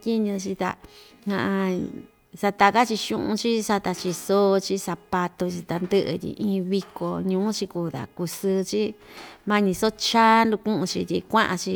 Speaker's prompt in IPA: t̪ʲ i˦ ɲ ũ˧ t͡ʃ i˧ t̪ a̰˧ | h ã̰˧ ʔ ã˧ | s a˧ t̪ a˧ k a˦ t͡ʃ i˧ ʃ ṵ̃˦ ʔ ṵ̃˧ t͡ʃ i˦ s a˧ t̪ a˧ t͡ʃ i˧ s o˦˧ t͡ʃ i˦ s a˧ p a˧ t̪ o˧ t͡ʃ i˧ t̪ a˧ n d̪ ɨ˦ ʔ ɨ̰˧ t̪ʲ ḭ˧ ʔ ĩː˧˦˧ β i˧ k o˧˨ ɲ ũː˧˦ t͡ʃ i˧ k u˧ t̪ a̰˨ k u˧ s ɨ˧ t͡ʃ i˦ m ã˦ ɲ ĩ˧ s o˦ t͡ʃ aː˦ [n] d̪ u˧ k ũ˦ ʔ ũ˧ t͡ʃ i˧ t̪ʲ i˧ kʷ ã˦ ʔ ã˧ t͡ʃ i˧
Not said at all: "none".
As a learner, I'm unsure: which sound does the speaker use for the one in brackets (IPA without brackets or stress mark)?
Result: n